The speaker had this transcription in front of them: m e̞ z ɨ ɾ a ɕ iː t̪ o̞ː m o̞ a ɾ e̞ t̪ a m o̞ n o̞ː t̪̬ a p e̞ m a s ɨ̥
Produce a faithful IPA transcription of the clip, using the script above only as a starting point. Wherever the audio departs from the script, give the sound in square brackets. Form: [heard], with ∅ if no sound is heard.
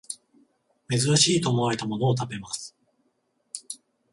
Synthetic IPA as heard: m e̞ z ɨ ɾ a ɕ iː t̪ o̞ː m o̞ a ɾ e̞ t̪ a m o̞ n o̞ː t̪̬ a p e̞ m a s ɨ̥